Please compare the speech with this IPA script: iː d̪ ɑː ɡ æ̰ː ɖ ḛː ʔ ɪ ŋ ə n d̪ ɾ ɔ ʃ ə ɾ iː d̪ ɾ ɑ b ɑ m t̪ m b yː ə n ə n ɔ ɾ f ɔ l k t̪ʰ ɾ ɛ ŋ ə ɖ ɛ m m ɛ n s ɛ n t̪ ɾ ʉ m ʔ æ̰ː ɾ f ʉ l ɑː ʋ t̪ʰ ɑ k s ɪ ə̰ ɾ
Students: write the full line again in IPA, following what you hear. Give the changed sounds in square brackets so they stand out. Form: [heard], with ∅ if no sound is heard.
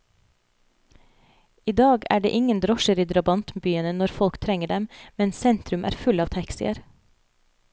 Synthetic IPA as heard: iː d̪ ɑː ɡ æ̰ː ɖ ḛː ʔ ɪ ŋ ə n d̪ ɾ ɔ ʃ ə ɾ iː d̪ ɾ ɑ b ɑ [n] t̪ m b yː ə n ə n ɔ ɾ f ɔ l k t̪ʰ ɾ ɛ ŋ ə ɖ ɛ m m ɛ n s ɛ n t̪ ɾ ʉ m ʔ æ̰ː ɾ f ʉ l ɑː ʋ t̪ʰ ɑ k s ɪ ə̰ ɾ